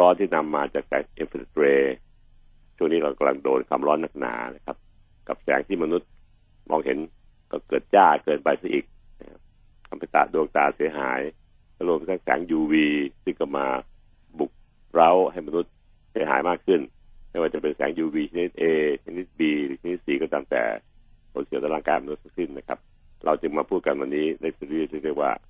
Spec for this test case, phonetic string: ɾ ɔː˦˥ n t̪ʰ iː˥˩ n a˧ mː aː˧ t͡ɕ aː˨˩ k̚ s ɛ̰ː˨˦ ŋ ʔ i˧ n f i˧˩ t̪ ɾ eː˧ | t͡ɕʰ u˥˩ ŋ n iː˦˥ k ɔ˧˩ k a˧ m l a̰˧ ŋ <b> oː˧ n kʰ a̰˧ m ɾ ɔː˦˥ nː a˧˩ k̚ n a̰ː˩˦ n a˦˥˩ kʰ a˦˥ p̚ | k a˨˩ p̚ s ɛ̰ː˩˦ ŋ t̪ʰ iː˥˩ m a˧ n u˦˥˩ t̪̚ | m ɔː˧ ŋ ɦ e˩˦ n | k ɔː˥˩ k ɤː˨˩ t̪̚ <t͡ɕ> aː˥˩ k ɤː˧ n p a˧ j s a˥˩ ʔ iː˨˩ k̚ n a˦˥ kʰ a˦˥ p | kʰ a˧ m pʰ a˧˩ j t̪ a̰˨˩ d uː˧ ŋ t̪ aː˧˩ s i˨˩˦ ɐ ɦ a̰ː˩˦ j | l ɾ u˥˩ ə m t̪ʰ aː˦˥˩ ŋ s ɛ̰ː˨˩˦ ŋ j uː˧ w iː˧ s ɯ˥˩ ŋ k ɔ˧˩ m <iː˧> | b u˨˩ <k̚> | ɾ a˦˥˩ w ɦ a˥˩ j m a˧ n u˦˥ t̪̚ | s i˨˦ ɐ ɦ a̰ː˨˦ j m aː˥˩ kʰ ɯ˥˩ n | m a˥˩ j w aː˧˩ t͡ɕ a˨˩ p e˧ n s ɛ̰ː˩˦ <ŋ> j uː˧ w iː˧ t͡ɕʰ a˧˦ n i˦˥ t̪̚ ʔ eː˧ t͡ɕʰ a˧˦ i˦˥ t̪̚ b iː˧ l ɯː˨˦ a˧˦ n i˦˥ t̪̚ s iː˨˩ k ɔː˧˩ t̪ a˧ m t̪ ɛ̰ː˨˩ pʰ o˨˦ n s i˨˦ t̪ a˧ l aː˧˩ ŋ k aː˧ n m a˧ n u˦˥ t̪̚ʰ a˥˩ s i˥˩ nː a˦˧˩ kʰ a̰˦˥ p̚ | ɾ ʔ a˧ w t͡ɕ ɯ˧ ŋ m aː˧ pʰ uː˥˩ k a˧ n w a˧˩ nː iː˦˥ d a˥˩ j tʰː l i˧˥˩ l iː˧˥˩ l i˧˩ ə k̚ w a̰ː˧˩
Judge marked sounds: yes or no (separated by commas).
no, yes, no, yes, yes